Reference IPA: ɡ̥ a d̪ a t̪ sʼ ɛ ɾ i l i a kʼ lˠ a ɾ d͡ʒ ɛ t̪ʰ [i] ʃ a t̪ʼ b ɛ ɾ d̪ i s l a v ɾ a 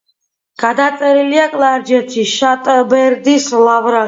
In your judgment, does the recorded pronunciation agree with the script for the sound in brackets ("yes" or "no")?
yes